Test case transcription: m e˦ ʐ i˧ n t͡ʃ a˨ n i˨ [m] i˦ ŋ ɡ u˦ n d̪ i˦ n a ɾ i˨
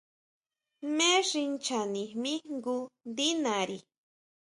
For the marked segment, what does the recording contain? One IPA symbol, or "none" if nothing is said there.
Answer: m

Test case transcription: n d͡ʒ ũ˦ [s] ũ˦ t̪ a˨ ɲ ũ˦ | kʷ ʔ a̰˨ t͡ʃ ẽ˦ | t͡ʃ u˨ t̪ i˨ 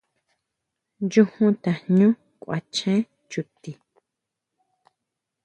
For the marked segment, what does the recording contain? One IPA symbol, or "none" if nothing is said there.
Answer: h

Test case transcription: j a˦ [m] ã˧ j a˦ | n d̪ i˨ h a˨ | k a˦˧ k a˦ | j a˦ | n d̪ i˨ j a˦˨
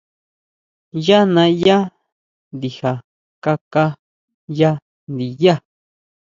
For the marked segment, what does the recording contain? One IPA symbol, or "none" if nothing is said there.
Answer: n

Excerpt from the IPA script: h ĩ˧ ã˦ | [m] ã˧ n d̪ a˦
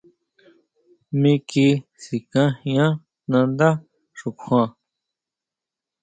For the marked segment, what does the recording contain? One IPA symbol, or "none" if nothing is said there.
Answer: n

